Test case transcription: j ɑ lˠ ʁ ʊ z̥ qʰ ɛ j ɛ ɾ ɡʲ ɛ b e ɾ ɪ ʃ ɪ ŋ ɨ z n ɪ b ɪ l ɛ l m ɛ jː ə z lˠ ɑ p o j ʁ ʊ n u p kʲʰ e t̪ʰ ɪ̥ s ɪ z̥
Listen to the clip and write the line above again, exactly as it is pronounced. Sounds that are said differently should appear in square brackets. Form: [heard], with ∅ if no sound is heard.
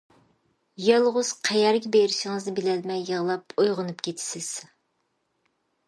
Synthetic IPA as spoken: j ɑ lˠ ʁ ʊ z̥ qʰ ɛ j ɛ ɾ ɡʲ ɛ b e ɾ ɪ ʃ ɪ ŋ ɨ z n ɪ b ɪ l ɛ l m ɛ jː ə [ʁ] lˠ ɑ p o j ʁ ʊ n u p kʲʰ e t̪ʰ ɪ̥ s ɪ z̥